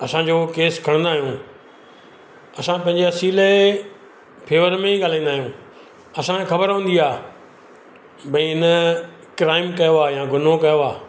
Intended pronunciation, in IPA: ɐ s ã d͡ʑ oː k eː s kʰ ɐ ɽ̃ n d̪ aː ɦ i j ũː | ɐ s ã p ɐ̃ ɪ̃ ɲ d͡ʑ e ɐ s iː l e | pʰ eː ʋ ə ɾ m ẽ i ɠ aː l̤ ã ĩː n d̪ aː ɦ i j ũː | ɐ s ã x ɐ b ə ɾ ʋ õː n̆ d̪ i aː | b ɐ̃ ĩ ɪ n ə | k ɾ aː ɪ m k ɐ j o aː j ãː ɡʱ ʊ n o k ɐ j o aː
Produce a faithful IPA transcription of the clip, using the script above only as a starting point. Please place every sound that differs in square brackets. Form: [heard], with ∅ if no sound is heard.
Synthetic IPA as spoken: ɐ s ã d͡ʑ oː k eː s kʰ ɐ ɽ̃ n d̪ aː ɦ i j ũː | ɐ s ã p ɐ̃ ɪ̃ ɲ d͡ʑ e ɐ s iː l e | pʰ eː ʋ ə ɾ m ẽ i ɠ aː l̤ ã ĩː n d̪ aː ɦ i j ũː | ɐ s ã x ɐ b ə ɾ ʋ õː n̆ d̪ i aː | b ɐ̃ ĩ ɪ n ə | k ɾ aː ɪ m k ɐ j o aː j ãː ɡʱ ʊ n o k ɐ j o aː